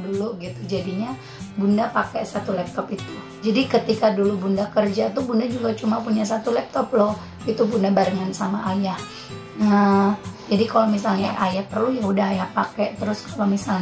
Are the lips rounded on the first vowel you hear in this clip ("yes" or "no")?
yes